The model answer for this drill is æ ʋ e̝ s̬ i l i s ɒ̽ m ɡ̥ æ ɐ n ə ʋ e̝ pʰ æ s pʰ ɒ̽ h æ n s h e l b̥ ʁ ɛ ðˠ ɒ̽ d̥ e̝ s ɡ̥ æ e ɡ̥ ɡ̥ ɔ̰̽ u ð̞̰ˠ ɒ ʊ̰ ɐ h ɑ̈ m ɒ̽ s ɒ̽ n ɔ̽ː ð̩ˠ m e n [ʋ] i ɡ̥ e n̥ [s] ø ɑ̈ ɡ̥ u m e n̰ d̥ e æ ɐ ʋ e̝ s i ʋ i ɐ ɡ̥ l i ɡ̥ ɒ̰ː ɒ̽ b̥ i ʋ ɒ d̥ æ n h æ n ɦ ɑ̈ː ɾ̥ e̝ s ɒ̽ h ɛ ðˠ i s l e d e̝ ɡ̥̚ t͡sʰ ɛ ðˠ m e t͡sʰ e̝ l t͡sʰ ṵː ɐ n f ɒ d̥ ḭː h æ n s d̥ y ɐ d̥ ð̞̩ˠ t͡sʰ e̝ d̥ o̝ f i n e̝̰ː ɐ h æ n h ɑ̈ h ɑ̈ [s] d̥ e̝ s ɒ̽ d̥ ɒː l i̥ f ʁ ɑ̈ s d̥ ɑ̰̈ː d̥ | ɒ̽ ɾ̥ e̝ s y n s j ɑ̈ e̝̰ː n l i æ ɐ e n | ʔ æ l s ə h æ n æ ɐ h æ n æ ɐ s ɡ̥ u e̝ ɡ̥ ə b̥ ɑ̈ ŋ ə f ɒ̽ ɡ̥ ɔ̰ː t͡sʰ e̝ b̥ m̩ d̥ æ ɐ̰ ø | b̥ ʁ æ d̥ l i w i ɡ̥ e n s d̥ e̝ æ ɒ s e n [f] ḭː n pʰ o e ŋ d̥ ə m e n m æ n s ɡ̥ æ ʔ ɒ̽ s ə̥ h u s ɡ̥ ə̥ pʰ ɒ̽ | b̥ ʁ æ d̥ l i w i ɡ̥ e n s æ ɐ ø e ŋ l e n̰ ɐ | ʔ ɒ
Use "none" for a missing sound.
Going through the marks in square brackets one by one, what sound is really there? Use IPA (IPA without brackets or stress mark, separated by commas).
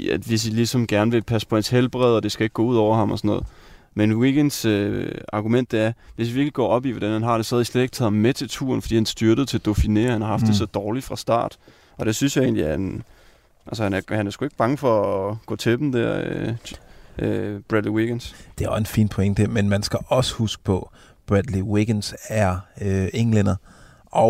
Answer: w, s, f, f